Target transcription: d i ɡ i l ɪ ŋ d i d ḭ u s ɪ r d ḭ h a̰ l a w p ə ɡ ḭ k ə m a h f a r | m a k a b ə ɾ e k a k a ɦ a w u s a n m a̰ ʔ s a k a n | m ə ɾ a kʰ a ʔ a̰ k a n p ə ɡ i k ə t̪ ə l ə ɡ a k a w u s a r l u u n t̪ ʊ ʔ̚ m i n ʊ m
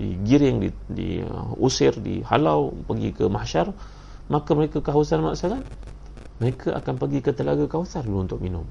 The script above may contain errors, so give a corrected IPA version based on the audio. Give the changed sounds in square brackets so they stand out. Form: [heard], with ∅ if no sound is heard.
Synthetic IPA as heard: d i ɡ i [ɾ] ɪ ŋ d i d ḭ u s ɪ r d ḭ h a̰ l a w p ə ɡ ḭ k ə m a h [ʃ] a r | m a k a [m] ə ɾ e k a k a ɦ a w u s a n m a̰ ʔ s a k a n | m ə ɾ [e] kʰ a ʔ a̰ k a n p ə ɡ i k ə t̪ ə l [a] ɡ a k a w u s a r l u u n t̪ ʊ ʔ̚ m i n ʊ m